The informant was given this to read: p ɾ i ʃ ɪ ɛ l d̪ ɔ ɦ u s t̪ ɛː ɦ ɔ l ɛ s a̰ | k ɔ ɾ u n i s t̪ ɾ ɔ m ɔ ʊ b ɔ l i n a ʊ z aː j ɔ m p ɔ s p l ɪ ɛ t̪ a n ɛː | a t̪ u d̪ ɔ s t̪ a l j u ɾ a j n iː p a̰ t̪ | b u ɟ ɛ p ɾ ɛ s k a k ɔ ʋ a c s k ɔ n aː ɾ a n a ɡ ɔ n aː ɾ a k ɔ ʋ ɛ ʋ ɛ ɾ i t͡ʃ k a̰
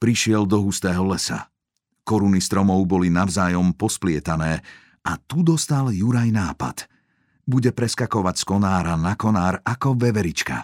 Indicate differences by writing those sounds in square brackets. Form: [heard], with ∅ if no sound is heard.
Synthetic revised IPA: p ɾ i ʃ ɪ ɛ l d̪ ɔ ɦ u s t̪ ɛː ɦ ɔ l ɛ s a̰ | k ɔ ɾ u n i s t̪ ɾ ɔ m ɔ ʊ b ɔ l i n a ʊ z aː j ɔ m p ɔ s p l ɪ ɛ t̪ a n ɛː | a t̪ u d̪ ɔ s t̪ a l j u ɾ a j n [aː] p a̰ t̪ | b u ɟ ɛ p ɾ ɛ s k a k ɔ ʋ a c s k ɔ n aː ɾ a n a [k] ɔ n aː ɾ a k ɔ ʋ ɛ ʋ ɛ ɾ i t͡ʃ k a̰